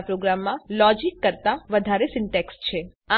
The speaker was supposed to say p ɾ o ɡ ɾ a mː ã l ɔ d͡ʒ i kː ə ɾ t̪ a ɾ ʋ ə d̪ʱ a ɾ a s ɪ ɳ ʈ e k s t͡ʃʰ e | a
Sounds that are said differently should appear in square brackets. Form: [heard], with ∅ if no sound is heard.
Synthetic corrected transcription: p ɾ o ɡ ɾ a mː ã l ɔ d͡ʒ i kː ə ɾ t̪ a [∅] ʋ ə d̪ʱ a ɾ [e] s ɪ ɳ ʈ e k s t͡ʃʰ e | a

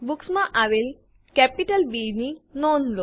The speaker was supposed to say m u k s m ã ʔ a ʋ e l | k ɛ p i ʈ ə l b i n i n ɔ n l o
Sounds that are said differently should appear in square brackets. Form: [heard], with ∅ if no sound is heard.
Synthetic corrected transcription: [b] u k s m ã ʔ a ʋ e l | k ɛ p i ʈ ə l b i n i n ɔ n l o

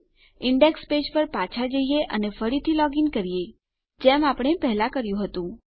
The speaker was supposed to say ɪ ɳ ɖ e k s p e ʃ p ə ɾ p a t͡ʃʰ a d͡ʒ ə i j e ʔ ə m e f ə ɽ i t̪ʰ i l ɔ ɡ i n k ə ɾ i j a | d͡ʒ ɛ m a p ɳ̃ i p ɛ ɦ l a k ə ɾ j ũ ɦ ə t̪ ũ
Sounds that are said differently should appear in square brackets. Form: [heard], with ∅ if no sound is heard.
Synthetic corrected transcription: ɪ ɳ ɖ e k s p e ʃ p ə ɾ p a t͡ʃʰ a d͡ʒ ə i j e ʔ ə [n] e f ə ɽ i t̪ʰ i l ɔ ɡ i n k ə ɾ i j [e] | d͡ʒ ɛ m a p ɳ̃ [e] p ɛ ɦ l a k ə ɾ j ũ ɦ ə t̪ ũ

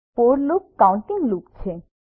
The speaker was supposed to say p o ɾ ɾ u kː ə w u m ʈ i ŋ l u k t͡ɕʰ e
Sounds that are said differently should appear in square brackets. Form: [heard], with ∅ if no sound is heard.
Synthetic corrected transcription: p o ɾ [l] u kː [a] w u [ɳ] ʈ i ŋ l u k t͡ɕʰ e

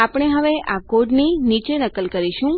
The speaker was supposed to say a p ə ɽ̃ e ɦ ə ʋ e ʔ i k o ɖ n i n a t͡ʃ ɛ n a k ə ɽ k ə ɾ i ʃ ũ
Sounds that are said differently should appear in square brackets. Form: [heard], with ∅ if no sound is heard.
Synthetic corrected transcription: a p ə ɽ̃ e ɦ ə ʋ e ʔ [a] k o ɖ n i n [i] t͡ʃ [e] n [ə] k ə [l] k ə ɾ i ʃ ũ

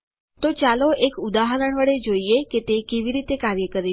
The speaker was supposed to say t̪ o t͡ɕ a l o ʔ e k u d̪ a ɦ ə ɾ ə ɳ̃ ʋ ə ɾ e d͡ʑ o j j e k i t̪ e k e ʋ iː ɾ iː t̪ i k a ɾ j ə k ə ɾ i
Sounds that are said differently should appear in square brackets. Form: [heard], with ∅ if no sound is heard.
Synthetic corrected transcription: t̪ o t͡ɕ a l o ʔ e k u d̪ a ɦ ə ɾ ə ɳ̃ ʋ ə [ɽ] e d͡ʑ o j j e k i t̪ e k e ʋ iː ɾ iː t̪ [e] k a ɾ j ə k ə ɾ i

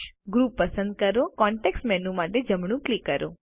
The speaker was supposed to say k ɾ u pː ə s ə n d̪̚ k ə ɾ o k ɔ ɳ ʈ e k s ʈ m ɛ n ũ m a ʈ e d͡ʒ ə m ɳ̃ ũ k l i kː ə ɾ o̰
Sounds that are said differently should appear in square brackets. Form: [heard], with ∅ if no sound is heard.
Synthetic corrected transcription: [ɡ] ɾ u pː ə s ə n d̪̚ k ə ɾ o k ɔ ɳ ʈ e k s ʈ m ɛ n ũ m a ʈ e d͡ʒ ə m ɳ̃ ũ k l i kː ə ɾ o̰

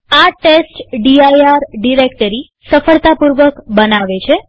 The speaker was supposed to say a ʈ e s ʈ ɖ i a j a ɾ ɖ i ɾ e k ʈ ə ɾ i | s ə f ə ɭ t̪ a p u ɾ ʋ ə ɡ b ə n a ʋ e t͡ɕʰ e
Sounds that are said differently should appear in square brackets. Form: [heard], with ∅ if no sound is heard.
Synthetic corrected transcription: a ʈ e s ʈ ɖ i a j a ɾ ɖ i ɾ e k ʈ ə ɾ i | s ə f ə ɭ t̪ a p u ɾ ʋ ə [k] b ə n a ʋ e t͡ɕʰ e

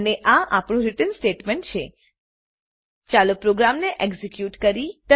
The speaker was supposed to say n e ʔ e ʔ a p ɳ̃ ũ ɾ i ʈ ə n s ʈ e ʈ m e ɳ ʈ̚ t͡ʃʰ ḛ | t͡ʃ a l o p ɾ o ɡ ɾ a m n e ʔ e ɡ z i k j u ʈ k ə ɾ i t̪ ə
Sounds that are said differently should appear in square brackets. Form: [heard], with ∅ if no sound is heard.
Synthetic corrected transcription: n e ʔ [a] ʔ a p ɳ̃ ũ ɾ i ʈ ə n s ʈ e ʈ m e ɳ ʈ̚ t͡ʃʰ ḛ | t͡ʃ a l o p ɾ o ɡ ɾ a m n e ʔ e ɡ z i k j u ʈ k ə ɾ i t̪ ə

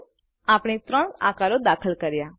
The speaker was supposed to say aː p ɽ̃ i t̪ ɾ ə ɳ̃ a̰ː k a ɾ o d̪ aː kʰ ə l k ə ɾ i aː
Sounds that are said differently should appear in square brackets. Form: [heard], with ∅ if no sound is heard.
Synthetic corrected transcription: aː p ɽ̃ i t̪ ɾ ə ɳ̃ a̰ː k a ɾ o d̪ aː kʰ ə l k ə ɾ [j] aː

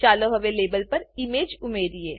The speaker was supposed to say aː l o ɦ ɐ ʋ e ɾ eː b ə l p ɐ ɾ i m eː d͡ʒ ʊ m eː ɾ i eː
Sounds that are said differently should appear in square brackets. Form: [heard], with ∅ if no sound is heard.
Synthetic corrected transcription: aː l o ɦ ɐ ʋ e [l] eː b ə l p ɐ ɾ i m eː d͡ʒ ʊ m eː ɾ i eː

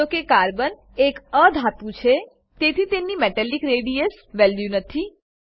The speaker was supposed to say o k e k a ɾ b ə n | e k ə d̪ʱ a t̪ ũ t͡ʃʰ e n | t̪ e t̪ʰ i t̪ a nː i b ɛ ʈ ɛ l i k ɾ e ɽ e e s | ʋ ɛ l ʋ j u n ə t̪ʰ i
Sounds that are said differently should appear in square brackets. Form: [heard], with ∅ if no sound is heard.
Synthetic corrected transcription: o k e k a ɾ b ə n | e k ə d̪ʱ a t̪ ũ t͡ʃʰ e [∅] | t̪ e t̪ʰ i t̪ [e] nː i [m] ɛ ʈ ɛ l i k ɾ e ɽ [i] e s | ʋ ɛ l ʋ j u n ə t̪ʰ i

